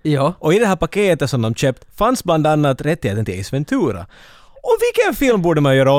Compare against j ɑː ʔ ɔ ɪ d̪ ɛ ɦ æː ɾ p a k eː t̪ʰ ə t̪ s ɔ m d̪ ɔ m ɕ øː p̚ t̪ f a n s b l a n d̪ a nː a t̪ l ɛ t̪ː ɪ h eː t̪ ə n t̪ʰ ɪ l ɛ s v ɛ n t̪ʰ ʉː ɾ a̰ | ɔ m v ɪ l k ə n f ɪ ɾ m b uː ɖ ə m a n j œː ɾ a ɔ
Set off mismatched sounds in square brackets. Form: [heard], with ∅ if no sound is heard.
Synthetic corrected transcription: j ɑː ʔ ɔ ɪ d̪ ɛ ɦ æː ɾ p a k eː [t̪] ə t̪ s ɔ m d̪ ɔ m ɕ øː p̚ t̪ f a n s b l a n d̪ a nː a t̪ [ɾ] ɛ t̪ː ɪ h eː t̪ ə n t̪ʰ ɪ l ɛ s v ɛ n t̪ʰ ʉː ɾ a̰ | ɔ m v ɪ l k ə n f ɪ [l] m b uː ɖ ə m a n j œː ɾ a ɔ